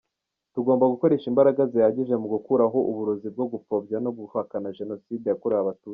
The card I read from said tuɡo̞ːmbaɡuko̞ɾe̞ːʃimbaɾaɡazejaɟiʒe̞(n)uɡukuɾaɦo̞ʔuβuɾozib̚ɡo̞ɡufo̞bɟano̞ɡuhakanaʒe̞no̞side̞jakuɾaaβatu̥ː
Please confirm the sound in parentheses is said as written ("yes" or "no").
no